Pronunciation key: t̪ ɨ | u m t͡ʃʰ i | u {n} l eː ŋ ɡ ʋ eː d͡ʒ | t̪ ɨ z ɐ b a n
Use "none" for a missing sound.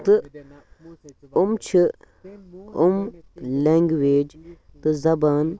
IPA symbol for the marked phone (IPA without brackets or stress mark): m